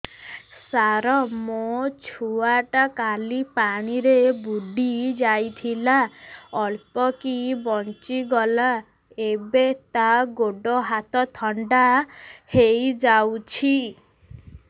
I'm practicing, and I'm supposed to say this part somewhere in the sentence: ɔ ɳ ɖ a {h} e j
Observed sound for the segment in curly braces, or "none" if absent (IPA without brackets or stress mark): h